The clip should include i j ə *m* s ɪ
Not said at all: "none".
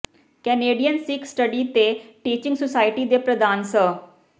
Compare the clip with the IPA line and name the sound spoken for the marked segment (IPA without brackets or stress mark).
n